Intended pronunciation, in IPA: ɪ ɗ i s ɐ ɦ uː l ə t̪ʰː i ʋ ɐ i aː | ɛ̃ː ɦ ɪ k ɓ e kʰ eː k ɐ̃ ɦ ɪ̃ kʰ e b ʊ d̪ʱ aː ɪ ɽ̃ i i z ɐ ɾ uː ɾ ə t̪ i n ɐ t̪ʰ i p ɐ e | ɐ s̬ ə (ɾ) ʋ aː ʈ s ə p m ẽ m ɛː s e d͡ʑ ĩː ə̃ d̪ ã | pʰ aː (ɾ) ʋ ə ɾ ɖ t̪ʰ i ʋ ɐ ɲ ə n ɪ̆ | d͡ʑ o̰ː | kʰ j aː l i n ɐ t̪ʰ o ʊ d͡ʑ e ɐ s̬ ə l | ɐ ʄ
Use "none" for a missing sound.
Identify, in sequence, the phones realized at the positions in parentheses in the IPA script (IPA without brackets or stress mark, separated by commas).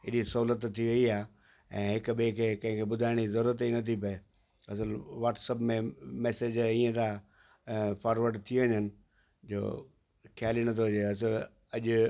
l, ɾ